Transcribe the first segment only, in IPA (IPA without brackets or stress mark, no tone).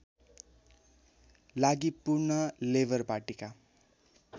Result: l